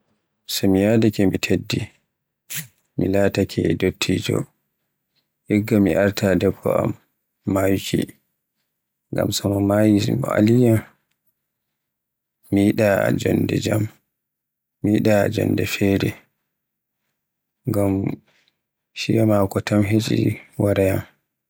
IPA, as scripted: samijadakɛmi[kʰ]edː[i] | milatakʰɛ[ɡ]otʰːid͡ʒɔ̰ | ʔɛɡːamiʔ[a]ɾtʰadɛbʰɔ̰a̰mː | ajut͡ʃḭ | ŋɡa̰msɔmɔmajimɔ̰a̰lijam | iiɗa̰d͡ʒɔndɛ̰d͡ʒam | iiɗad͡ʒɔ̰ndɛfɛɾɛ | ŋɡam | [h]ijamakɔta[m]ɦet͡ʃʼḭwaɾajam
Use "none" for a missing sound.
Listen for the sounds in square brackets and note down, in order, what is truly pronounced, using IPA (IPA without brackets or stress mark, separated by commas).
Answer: tʰ, i, d, a, ʃ, m